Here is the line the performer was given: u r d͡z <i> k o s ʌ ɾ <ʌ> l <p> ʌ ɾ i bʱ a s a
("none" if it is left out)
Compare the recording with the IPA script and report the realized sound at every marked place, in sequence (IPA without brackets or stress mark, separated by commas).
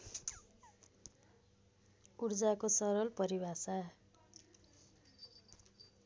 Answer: a, ʌ, p